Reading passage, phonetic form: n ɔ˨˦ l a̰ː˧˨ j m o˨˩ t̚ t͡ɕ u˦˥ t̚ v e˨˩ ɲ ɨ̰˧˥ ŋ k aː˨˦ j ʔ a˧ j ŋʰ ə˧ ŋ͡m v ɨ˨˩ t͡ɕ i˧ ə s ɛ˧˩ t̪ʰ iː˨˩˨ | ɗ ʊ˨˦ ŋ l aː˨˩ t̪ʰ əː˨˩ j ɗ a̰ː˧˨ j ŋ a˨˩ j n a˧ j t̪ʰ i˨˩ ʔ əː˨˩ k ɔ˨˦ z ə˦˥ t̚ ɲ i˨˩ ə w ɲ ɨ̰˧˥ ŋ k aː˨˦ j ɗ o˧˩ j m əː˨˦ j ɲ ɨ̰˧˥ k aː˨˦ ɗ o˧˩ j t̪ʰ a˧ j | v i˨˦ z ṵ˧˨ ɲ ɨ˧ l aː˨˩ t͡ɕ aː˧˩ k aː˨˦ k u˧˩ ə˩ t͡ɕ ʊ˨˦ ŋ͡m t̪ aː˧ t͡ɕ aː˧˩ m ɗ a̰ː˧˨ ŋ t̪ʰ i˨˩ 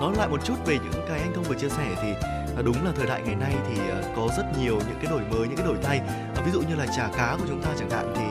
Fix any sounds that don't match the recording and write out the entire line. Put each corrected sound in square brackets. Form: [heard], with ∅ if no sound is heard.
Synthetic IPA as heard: n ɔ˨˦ l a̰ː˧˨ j m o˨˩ t̚ t͡ɕ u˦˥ t̚ v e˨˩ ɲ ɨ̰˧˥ ŋ k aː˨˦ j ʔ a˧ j ŋʰ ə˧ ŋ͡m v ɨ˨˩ t͡ɕ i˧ ə s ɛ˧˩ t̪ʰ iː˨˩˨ | ɗ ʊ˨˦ [ŋ͡m] l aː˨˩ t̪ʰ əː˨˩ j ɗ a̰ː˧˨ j ŋ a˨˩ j n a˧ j t̪ʰ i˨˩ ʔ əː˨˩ k ɔ˨˦ z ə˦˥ t̚ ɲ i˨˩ ə w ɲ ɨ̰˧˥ ŋ k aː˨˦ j ɗ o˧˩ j m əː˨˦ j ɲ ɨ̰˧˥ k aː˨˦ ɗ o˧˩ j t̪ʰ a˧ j | v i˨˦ z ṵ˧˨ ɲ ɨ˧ l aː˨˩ t͡ɕ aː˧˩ k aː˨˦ k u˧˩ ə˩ t͡ɕ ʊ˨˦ ŋ͡m t̪ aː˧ t͡ɕ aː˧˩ [ŋ] ɗ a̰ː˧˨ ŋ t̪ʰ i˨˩